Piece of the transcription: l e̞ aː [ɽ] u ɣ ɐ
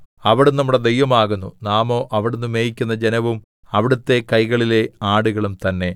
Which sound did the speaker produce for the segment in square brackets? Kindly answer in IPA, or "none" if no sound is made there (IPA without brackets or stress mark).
ɽ